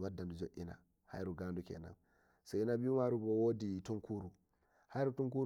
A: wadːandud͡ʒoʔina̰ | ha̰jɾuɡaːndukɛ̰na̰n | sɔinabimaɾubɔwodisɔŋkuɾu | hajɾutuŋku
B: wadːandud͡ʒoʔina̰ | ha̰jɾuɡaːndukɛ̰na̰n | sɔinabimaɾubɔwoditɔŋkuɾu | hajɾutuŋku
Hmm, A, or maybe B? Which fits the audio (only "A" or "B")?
B